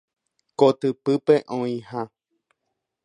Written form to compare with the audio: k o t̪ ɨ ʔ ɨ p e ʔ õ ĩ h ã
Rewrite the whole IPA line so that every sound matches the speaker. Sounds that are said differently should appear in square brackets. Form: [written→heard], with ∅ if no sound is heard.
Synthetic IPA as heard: k o t̪ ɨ [ʔ→p] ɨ p e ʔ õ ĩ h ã